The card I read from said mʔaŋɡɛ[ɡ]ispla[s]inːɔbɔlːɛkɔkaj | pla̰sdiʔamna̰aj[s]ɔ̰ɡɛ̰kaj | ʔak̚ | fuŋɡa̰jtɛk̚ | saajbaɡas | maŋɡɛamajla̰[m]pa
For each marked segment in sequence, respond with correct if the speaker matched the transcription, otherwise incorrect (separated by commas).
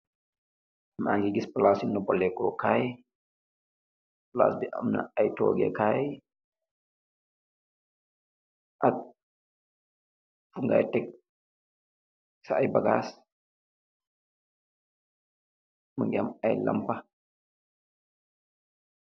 correct, correct, incorrect, correct